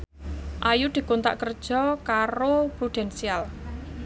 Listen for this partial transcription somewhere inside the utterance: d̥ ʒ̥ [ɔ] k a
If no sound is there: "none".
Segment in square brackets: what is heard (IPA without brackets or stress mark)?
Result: ɔ